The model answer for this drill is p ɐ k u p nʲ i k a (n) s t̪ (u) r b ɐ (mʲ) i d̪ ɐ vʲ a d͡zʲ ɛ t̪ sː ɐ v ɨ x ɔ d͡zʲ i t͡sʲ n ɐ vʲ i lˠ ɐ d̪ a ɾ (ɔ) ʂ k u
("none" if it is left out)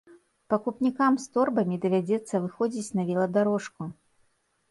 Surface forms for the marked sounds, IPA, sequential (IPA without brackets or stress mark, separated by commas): m, ɔ, mʲ, ɔ